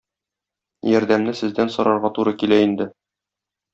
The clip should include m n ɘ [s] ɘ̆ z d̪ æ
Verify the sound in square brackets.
correct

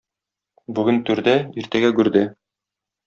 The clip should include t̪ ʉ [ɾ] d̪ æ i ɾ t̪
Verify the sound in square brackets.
correct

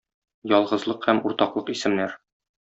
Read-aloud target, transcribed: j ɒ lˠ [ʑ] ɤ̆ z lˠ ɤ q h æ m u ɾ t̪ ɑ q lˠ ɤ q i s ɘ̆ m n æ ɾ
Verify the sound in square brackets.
incorrect: ʁ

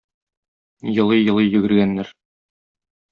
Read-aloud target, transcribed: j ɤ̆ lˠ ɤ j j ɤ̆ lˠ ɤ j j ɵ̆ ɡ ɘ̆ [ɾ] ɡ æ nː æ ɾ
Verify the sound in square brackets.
correct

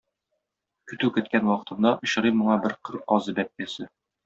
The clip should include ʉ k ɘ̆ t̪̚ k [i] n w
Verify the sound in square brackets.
incorrect: æ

